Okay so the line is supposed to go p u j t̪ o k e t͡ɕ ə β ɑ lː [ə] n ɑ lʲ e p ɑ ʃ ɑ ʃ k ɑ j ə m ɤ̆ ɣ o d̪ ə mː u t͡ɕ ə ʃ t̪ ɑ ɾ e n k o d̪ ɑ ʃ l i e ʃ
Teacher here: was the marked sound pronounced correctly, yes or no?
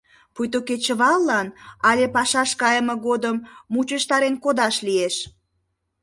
no